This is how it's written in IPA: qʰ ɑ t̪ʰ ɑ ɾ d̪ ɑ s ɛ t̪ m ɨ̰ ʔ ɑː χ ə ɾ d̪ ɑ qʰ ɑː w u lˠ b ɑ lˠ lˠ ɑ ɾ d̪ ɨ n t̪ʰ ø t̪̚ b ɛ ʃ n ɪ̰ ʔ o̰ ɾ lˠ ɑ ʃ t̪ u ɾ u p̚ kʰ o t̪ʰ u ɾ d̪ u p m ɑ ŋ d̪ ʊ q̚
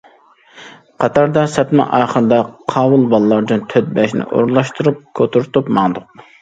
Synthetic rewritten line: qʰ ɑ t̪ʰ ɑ ɾ d̪ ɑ s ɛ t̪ m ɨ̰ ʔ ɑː χ ə ɾ d̪ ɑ qʰ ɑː w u lˠ b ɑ lˠ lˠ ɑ ɾ d̪ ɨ n t̪ʰ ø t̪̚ b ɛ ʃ n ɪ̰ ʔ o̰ ɾ lˠ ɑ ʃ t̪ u ɾ u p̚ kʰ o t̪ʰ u ɾ t̪ u p m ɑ ŋ d̪ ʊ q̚